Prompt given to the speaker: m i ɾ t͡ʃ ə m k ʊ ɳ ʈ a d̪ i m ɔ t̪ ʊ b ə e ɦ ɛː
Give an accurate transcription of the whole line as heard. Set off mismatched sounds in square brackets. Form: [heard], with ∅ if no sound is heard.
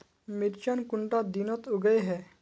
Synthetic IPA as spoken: m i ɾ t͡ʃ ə [n] k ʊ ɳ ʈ a d̪ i [n] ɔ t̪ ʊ [ɡ] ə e ɦ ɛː